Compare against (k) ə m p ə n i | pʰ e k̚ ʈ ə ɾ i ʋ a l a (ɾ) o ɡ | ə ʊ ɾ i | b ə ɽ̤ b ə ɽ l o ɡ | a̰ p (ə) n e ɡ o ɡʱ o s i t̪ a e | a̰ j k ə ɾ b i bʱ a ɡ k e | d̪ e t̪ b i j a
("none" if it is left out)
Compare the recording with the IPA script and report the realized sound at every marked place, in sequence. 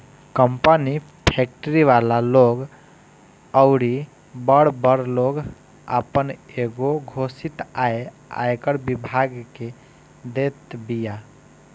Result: k, l, ə

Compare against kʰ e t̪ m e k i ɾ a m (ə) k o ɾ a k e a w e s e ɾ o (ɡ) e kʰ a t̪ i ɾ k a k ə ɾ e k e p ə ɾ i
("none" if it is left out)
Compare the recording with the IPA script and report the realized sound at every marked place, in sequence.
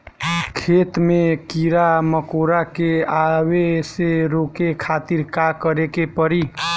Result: ə, k

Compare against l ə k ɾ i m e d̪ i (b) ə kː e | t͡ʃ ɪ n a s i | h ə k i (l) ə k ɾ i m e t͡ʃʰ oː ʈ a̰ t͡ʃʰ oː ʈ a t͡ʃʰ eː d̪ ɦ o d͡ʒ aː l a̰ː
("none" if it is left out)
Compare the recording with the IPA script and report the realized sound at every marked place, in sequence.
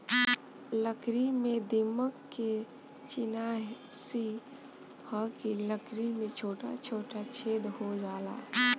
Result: m, l

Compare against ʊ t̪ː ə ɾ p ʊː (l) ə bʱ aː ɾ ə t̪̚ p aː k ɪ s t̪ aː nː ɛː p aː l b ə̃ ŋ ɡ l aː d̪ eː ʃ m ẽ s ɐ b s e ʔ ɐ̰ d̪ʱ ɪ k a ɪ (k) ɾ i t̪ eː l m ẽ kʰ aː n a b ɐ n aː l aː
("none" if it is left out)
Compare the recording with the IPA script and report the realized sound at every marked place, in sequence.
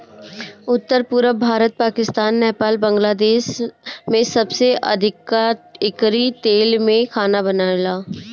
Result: ɾ, k

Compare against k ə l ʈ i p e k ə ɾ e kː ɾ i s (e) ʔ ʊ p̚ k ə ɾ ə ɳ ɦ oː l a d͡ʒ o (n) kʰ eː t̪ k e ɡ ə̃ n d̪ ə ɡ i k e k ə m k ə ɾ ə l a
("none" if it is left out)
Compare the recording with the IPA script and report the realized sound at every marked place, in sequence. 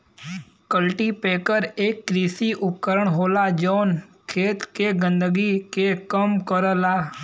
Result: i, n

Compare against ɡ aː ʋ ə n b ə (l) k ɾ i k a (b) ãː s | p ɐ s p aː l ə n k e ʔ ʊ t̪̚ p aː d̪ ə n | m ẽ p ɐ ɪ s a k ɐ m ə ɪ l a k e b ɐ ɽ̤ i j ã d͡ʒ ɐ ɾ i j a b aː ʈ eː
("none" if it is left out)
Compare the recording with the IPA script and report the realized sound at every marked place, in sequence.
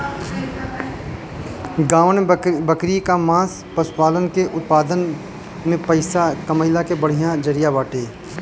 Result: none, m

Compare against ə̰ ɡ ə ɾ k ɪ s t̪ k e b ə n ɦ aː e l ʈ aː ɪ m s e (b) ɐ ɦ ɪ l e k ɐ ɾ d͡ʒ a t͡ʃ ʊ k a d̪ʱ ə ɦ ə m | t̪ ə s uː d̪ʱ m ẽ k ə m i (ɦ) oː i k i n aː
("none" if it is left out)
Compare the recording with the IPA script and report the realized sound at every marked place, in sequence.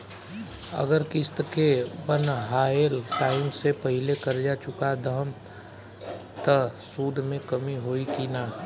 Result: p, ɦ

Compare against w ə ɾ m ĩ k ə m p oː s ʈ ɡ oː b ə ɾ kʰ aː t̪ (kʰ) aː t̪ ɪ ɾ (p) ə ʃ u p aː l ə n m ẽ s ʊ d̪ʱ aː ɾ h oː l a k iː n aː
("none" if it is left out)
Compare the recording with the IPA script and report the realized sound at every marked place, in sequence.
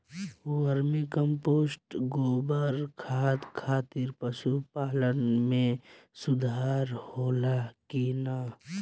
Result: kʰ, p

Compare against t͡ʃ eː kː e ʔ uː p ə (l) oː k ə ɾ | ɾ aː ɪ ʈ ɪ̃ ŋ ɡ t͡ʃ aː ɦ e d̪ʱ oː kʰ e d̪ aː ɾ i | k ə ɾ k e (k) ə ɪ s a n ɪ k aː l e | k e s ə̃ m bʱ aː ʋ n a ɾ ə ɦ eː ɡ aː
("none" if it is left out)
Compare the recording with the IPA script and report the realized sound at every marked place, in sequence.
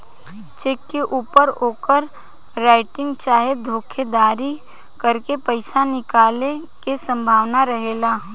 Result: ɾ, p

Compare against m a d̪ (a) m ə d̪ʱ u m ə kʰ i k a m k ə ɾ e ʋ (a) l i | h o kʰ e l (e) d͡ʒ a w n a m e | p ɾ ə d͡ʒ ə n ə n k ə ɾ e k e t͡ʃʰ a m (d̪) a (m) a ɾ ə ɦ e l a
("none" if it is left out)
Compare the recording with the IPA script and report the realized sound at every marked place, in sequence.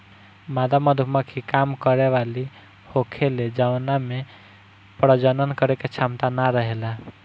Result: a, a, e, t̪, n

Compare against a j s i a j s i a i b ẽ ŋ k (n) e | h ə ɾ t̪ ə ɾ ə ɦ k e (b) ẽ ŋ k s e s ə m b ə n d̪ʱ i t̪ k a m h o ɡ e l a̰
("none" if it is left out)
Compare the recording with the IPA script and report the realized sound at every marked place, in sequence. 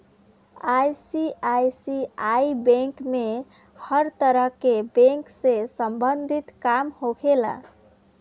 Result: m, b

